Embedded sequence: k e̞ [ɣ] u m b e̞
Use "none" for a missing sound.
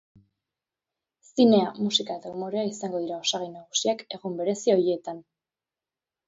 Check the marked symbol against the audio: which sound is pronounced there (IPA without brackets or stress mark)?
ɣ